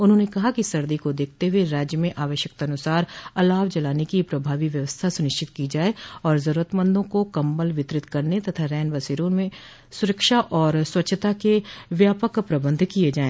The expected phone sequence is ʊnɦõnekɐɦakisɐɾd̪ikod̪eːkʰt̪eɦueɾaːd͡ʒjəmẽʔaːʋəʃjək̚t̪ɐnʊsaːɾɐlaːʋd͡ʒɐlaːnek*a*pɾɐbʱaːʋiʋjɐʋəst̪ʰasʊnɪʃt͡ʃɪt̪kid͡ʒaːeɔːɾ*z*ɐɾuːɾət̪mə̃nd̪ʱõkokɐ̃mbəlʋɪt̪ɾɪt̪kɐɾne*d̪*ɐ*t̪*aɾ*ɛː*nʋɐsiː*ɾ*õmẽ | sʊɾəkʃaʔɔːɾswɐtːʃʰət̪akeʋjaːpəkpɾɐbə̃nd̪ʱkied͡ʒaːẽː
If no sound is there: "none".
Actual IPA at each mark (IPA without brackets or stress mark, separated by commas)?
i, z, t̪, t̪ʰ, ɛː, ɾ